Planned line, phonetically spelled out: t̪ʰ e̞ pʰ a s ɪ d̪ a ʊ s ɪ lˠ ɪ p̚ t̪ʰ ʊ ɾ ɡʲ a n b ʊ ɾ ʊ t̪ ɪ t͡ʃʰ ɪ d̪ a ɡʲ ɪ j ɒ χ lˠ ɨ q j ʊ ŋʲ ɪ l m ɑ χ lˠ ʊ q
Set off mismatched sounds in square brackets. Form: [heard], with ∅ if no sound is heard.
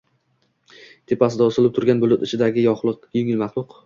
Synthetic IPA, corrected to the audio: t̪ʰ e̞ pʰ a s ɪ d̪ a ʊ s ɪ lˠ ɪ p̚ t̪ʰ ʊ ɾ ɡʲ a n b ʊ [l] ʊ t̪ ɪ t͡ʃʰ ɪ d̪ a ɡʲ ɪ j ɒ χ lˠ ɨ q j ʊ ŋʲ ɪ l m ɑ χ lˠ ʊ q